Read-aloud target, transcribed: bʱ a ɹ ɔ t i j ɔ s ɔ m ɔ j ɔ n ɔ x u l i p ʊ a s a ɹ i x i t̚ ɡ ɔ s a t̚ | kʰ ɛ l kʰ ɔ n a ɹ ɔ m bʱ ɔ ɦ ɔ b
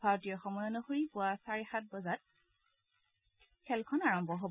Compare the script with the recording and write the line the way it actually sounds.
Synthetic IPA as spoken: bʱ a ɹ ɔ t i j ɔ x ɔ m ɔ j ɔ n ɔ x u ɹ i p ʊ a s a ɹ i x a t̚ b ɔ z a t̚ | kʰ ɛ l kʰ ɔ n a ɹ ɔ m bʱ ɔ ɦ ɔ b